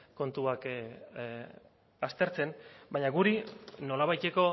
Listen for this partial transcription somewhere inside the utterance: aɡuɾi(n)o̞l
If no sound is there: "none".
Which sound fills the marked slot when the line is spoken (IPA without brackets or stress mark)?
n